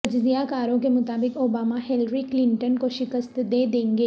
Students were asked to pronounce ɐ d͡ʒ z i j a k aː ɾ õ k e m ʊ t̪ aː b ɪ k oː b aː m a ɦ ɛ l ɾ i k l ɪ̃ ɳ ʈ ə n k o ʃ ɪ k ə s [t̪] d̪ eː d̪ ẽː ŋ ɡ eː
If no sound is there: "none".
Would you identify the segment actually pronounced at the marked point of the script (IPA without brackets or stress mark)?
t̪